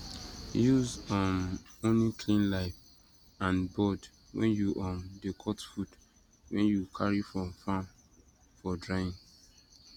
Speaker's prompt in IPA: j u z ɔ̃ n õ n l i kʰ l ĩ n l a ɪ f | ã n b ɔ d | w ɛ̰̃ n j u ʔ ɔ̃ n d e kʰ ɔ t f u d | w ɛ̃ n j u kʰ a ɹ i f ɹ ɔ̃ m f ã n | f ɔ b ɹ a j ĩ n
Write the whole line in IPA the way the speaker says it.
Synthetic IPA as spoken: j u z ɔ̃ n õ n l i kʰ l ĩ n l a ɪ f | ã n b ɔ d | w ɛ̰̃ n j u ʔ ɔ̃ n d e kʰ ɔ t f u d | w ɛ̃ n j u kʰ a ɹ i f ɹ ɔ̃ m f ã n | f ɔ d ɹ a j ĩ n